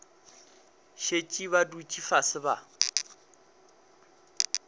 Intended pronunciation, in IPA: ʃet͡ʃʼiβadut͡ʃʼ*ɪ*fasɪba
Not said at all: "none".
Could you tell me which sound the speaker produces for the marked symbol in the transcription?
i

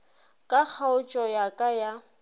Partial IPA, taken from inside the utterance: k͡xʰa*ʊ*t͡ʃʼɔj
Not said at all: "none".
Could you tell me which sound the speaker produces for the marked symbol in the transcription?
ʊ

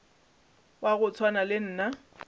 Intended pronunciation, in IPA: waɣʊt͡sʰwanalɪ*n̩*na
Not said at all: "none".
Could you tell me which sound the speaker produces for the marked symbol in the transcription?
n̩ː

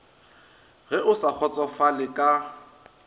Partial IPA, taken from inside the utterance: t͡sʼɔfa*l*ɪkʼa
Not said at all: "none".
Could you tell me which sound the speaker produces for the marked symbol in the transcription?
l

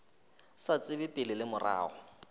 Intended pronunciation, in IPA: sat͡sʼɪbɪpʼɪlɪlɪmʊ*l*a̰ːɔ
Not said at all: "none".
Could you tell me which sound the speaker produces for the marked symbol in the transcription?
r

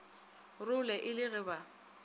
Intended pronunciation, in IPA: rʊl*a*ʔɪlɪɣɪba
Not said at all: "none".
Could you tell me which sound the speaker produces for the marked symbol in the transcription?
ɛ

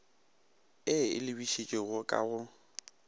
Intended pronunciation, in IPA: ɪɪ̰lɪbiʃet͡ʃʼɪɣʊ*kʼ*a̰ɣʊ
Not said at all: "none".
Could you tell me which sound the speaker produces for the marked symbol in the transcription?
kʼ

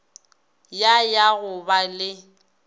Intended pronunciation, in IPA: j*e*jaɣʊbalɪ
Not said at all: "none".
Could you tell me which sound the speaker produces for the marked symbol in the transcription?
a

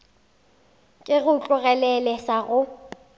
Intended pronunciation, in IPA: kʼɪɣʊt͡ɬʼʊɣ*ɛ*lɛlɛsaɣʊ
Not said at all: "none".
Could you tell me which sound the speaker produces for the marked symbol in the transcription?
ɛ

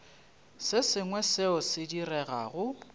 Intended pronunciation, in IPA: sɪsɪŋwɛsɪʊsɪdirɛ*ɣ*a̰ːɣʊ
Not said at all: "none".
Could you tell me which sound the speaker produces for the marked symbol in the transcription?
ɣ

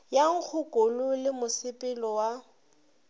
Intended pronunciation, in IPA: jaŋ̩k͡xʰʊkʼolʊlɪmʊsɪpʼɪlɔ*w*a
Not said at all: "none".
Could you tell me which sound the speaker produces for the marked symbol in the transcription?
w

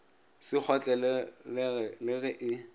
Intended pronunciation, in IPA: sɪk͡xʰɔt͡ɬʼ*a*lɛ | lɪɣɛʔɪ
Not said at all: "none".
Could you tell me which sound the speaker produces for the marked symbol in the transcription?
ɛ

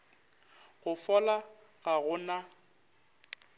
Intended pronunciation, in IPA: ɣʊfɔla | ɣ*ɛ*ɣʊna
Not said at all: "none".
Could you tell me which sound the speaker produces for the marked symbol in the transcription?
a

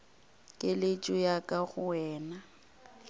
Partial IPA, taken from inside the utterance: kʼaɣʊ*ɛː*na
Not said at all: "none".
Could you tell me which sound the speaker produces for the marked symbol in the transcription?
ɛː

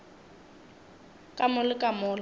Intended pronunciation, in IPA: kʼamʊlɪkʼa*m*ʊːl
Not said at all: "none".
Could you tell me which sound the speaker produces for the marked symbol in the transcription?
m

